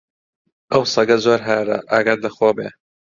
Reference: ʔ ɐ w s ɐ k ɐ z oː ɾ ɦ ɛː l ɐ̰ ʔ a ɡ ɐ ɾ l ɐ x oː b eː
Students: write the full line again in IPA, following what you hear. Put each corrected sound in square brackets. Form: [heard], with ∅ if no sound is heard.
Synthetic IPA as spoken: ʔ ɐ w s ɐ [ɡ] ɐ z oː ɾ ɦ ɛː [ɾ] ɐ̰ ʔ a ɡ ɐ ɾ l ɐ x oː b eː